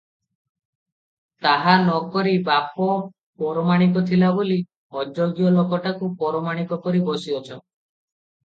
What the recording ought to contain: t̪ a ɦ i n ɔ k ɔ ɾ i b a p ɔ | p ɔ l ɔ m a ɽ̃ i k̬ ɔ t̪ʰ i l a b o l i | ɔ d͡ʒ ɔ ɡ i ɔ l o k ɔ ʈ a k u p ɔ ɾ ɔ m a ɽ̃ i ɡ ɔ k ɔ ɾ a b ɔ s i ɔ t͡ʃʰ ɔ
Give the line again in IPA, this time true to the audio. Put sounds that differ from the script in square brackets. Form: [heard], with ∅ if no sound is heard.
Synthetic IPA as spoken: t̪ a ɦ [a] n ɔ k ɔ ɾ i b a p ɔ | p ɔ [ɾ] ɔ m a ɽ̃ i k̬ ɔ t̪ʰ i l a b o l i | ɔ d͡ʒ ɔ ɡ [j] ɔ l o k ɔ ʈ a k u p ɔ ɾ ɔ m a ɽ̃ i [k] ɔ k ɔ ɾ [i] b ɔ s i ɔ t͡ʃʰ ɔ